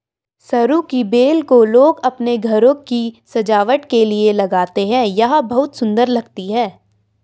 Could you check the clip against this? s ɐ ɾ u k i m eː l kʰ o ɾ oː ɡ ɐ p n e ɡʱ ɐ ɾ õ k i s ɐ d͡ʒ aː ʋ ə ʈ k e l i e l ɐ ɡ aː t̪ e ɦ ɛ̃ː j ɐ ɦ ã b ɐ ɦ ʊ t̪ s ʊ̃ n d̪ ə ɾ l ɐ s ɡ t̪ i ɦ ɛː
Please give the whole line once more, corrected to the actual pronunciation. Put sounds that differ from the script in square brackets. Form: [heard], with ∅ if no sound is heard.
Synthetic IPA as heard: s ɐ ɾ u k i [b] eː l [k] o [l] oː ɡ ɐ p n e ɡʱ ɐ ɾ õ k i s ɐ d͡ʒ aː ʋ ə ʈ k e l i e l ɐ ɡ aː t̪ e ɦ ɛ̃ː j ɐ ɦ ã b ɐ ɦ ʊ t̪ s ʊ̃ n d̪ ə ɾ l ɐ [∅] ɡ t̪ i ɦ ɛː